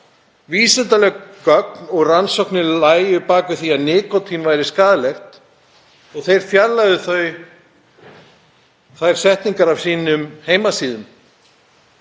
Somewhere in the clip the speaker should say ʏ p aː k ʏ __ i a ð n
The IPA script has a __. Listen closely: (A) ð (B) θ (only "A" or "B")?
B